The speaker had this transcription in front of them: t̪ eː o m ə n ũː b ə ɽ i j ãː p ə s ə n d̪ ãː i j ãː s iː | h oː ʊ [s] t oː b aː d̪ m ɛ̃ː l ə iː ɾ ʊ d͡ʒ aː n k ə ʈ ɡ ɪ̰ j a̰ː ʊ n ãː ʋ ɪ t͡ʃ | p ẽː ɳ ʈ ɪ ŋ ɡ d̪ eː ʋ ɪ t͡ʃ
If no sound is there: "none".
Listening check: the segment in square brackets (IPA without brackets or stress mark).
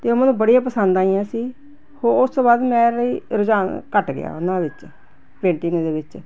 s